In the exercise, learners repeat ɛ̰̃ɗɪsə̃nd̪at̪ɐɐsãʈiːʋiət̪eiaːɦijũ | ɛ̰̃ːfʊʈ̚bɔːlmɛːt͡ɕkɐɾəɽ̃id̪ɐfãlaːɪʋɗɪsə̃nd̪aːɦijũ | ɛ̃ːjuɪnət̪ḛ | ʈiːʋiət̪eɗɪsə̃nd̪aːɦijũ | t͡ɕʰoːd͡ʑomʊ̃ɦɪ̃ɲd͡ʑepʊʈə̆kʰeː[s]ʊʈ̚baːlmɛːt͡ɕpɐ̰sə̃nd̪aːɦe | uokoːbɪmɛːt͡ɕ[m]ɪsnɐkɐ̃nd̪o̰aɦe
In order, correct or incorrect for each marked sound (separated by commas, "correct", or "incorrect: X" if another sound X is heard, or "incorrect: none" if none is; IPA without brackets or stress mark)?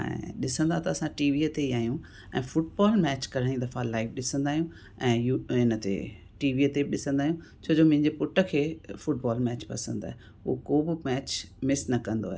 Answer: incorrect: f, correct